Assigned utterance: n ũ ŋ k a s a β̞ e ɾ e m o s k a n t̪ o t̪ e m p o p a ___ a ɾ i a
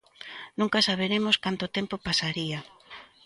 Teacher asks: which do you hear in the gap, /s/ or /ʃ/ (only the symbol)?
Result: s